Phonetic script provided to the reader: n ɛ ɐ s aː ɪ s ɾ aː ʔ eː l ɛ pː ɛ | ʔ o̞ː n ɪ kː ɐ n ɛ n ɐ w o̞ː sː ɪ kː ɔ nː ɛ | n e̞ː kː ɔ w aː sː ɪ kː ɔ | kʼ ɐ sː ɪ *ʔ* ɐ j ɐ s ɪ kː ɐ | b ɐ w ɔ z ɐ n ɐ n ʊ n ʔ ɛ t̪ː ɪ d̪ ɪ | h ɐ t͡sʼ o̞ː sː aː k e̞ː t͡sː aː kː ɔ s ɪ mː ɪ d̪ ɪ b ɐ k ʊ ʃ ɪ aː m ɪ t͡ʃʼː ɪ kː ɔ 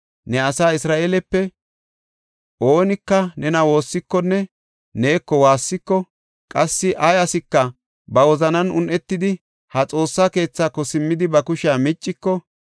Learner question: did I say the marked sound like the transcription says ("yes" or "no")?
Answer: yes